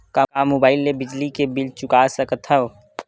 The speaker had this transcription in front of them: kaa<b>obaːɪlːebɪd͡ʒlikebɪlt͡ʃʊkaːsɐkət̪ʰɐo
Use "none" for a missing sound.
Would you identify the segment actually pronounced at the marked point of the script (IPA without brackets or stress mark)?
m